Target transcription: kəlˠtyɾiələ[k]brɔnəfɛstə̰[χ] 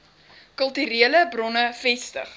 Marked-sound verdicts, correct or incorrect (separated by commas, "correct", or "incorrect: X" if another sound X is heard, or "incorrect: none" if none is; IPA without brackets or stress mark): incorrect: none, correct